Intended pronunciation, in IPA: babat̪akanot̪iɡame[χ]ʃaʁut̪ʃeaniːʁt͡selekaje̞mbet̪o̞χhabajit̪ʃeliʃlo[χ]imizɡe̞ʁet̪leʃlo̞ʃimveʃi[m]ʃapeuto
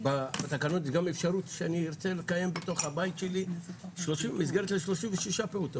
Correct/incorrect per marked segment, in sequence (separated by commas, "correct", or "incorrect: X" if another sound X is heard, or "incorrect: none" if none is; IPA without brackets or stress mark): incorrect: f, incorrect: ʃ, incorrect: none